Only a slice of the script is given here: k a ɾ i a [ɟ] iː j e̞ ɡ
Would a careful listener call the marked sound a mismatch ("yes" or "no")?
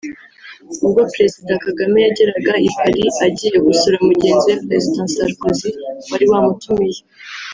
no